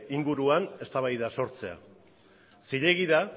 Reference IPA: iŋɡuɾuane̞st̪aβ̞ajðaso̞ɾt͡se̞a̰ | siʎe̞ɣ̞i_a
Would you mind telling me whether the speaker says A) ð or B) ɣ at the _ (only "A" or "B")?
A